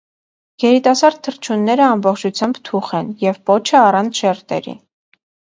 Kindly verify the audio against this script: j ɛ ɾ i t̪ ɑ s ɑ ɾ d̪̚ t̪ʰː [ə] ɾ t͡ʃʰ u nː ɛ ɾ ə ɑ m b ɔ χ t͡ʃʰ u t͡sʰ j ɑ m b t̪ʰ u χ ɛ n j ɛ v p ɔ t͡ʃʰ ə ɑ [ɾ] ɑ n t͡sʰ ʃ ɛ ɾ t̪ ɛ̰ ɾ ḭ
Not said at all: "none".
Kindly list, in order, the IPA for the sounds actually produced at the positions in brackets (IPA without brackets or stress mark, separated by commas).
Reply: ə, r